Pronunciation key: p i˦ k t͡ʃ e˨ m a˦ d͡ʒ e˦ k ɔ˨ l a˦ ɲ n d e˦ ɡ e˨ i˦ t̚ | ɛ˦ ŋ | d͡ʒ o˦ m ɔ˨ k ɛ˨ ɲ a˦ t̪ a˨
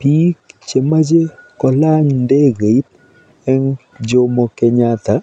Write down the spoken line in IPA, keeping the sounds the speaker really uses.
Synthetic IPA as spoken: p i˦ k t͡ʃ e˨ m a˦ d͡ʒ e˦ k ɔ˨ l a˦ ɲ n d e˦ ɡ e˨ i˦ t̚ | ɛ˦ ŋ | d͡ʒ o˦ m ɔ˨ k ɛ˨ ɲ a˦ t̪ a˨